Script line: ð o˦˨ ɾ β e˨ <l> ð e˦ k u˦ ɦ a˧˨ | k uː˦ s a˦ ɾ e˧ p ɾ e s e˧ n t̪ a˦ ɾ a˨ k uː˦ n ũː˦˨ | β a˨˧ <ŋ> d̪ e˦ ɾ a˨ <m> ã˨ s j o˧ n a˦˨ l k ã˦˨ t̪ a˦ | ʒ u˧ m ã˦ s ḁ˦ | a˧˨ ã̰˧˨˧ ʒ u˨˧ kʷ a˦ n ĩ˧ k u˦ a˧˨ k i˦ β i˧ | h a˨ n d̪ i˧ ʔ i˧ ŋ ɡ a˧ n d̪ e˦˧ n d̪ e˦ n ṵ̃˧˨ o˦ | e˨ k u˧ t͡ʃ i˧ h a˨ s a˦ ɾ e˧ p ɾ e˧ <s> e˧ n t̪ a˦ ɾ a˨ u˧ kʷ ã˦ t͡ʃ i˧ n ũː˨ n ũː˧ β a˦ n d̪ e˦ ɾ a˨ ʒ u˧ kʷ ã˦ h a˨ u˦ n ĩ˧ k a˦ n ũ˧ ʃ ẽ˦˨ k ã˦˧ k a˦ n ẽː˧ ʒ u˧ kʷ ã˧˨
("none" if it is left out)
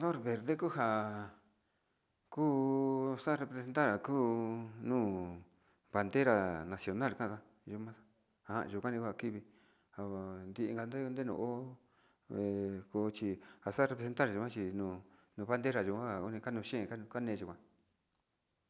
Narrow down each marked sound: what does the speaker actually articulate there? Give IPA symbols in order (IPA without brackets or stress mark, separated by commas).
ɾ, n, n, s